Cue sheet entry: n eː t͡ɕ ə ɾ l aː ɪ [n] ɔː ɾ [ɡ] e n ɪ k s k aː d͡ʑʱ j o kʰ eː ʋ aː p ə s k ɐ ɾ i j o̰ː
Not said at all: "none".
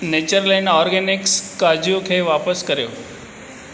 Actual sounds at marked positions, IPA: n, ɡ

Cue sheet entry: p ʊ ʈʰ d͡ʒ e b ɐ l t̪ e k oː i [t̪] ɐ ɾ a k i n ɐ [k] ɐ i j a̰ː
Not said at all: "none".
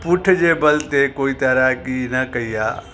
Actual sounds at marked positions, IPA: t̪, k

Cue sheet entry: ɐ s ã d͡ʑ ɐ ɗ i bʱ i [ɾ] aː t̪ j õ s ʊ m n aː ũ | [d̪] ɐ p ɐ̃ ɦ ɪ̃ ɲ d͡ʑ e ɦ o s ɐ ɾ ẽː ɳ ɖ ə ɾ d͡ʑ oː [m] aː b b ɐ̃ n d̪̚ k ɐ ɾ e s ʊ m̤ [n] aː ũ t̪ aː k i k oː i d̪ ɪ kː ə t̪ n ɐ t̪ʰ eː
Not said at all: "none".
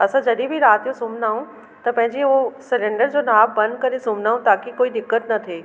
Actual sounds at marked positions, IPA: ɾ, t̪, n, n

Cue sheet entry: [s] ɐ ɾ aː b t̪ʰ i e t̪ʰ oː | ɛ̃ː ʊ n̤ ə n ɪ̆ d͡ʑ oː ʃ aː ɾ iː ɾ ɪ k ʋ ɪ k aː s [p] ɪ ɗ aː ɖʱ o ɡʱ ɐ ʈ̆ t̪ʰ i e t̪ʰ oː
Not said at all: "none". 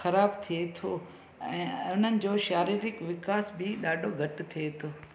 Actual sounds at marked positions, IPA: x, b

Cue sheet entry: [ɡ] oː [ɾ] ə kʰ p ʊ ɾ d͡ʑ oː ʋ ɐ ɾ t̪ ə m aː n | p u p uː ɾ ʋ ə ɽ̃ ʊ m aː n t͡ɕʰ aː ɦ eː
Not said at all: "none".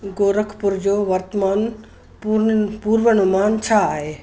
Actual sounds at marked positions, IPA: ɡ, ɾ

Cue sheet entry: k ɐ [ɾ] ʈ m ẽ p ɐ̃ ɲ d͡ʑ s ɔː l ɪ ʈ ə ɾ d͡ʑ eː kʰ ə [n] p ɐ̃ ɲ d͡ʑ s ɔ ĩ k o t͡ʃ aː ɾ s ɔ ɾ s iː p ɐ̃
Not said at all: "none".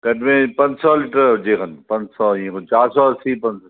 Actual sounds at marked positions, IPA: none, n

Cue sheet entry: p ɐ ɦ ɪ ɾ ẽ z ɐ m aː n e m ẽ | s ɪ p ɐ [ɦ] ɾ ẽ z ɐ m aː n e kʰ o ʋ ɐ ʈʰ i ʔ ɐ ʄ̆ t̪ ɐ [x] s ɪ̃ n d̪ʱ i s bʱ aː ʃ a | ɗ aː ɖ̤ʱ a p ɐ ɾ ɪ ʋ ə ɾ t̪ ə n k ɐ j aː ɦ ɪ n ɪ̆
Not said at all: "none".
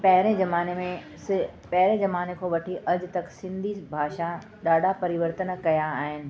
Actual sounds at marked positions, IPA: ɦ, k

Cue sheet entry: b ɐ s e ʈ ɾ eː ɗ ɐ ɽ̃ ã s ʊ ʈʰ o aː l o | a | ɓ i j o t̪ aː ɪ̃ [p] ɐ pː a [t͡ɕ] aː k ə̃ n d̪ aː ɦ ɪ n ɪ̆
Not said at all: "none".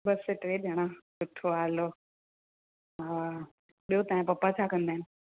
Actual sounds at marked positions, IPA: p, t͡ɕʰ

